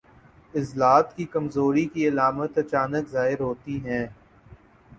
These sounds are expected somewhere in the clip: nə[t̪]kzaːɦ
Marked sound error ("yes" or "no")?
yes